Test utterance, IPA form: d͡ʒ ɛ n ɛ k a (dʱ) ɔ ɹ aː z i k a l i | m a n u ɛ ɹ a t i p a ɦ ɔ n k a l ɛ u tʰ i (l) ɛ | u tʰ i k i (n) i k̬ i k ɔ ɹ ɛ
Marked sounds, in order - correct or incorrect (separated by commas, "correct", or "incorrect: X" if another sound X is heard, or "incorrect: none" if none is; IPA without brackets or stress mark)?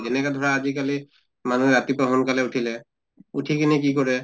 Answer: correct, correct, correct